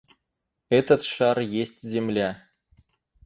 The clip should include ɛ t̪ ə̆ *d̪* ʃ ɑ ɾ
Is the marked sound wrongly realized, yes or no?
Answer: yes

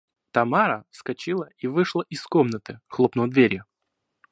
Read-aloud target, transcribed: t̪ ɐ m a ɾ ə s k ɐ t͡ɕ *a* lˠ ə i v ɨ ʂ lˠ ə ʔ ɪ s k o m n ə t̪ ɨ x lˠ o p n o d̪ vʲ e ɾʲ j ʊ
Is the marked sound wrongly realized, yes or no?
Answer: yes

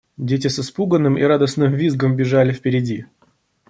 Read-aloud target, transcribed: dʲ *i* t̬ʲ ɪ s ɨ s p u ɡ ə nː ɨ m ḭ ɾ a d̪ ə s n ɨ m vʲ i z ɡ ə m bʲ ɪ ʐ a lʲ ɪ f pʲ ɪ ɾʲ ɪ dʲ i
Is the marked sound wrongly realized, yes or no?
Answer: yes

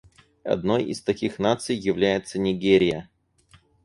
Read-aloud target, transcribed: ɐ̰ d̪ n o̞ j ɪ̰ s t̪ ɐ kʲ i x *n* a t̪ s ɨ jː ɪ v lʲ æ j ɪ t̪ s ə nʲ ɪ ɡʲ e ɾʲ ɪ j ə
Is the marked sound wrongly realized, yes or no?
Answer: no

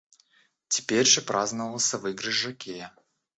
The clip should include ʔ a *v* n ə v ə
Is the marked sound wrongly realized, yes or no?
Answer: yes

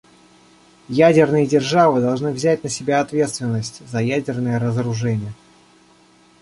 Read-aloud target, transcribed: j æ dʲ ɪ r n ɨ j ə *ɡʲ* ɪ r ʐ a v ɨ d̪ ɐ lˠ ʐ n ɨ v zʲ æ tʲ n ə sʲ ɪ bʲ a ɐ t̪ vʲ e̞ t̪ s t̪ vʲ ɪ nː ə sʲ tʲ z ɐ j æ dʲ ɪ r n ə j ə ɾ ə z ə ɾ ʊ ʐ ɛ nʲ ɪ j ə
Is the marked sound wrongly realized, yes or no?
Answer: yes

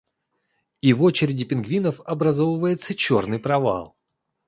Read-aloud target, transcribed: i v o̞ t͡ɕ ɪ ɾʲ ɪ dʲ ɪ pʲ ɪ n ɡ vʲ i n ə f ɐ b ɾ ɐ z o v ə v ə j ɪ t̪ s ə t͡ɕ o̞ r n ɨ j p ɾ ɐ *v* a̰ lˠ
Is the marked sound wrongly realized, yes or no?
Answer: no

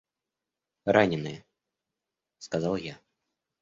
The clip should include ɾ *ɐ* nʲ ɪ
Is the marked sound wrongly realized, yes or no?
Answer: yes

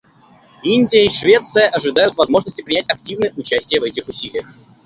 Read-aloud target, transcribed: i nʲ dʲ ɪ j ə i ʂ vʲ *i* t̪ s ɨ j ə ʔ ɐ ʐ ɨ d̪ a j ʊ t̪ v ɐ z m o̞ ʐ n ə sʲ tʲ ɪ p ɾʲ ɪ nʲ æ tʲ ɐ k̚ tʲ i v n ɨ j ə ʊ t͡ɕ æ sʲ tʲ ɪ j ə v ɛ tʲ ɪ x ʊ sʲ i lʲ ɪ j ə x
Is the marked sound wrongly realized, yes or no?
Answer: yes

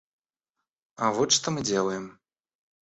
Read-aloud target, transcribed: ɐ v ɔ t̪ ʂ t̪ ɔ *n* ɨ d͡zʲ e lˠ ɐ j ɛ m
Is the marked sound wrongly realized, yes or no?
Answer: yes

